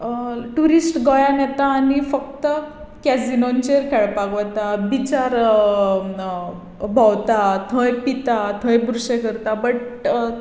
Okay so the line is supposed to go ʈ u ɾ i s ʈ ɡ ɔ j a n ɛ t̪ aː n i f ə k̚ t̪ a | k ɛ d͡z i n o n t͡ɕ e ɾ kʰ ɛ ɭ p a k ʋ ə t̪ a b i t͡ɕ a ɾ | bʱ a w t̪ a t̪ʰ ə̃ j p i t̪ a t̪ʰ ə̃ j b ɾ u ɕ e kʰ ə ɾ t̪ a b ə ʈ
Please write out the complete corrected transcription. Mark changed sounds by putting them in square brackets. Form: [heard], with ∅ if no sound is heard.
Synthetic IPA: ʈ u ɾ i s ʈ ɡ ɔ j a n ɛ t̪ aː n i f ə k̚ t̪ [ə] | k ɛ d͡z i n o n t͡ɕ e ɾ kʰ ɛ ɭ p a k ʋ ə t̪ a b i t͡ɕ a ɾ | bʱ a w t̪ a t̪ʰ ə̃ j p i t̪ a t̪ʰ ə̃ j b ɾ u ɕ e [k] ə ɾ t̪ a b ə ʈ